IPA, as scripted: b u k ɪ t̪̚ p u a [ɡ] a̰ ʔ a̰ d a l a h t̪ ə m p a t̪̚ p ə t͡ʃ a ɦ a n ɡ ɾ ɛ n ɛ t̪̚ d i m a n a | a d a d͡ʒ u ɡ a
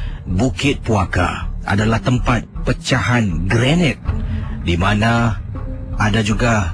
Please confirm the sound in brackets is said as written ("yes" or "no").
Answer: no